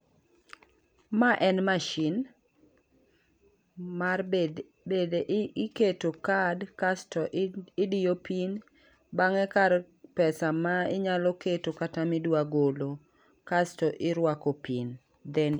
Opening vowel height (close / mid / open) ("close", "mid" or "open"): open